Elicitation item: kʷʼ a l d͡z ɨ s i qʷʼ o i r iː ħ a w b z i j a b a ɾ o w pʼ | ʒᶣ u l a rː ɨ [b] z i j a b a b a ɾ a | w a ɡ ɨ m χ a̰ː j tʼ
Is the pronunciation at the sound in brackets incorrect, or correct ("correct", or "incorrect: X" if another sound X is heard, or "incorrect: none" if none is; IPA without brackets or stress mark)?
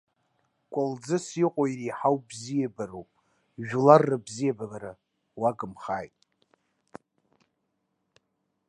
correct